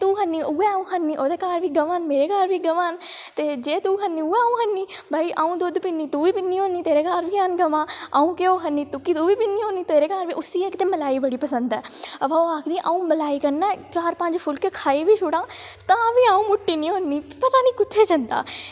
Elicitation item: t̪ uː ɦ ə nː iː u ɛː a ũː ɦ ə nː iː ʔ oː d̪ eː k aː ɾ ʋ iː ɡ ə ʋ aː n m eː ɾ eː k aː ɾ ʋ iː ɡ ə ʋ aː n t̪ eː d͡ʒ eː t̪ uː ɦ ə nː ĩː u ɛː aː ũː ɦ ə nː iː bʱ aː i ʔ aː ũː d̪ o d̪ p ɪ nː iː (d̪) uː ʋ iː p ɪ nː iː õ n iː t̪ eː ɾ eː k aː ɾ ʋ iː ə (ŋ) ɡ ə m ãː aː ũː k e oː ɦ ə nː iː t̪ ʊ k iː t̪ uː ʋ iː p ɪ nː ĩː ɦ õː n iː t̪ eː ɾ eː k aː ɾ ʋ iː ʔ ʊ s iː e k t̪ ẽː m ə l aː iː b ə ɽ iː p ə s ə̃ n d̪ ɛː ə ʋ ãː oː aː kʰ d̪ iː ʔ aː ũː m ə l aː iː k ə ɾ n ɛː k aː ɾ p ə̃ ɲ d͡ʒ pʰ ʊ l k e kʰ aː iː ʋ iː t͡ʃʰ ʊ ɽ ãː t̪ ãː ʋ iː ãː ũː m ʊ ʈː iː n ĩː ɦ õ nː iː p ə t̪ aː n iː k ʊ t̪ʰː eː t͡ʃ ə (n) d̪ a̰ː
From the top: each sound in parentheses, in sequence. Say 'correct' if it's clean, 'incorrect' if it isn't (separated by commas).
incorrect, incorrect, correct